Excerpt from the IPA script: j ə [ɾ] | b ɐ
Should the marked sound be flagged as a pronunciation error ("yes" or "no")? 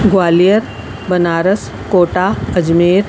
no